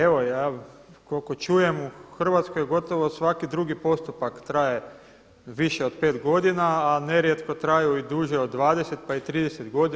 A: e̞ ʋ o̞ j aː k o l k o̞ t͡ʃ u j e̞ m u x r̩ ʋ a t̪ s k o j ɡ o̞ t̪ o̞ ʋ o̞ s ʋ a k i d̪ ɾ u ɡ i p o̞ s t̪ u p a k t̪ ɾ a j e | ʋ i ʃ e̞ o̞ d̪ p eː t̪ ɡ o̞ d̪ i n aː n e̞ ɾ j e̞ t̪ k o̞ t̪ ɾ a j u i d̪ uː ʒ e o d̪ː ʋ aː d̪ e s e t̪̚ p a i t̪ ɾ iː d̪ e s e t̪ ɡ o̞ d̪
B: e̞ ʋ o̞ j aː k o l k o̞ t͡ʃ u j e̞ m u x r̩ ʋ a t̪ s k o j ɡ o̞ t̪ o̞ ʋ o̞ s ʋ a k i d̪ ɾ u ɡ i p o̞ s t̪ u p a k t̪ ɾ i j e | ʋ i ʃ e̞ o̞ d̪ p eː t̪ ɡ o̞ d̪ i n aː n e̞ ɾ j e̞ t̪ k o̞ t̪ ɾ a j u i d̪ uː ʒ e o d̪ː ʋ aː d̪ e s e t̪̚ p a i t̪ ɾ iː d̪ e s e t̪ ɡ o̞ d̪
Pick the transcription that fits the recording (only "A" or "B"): A